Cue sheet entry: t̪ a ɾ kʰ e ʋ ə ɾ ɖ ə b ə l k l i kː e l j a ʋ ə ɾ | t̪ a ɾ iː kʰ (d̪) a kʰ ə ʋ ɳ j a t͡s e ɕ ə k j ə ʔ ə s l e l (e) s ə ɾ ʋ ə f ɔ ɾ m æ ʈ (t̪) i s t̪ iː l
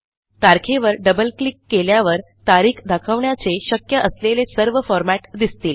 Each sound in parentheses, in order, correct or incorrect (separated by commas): correct, correct, incorrect